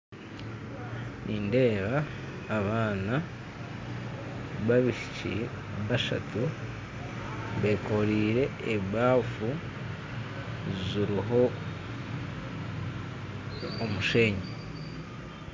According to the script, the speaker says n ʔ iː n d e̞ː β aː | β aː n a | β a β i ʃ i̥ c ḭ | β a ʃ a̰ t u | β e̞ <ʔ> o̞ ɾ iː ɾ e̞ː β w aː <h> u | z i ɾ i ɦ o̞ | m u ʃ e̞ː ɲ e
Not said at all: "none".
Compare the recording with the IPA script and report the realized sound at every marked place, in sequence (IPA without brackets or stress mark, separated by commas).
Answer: k, f